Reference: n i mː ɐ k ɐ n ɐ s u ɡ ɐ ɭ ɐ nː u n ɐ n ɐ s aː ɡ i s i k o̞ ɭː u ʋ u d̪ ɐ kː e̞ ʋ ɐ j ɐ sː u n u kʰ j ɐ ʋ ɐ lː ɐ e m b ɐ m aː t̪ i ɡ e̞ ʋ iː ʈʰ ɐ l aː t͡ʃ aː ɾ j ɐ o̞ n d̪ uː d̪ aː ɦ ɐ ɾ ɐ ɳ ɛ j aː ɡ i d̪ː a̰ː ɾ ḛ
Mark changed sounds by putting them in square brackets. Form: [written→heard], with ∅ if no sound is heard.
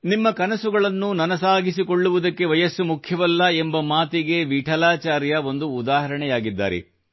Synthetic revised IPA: n i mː ɐ k ɐ n ɐ s u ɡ ɐ ɭ ɐ nː u n ɐ n ɐ s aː ɡ i s i k o̞ ɭː u ʋ u d̪ ɐ kː e̞ ʋ ɐ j ɐ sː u [n→m] u kʰ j ɐ ʋ ɐ lː ɐ e m b ɐ m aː t̪ i ɡ e̞ ʋ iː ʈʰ ɐ l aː t͡ʃ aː ɾ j ɐ o̞ n d̪ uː d̪ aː ɦ ɐ ɾ ɐ ɳ ɛ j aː ɡ i d̪ː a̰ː ɾ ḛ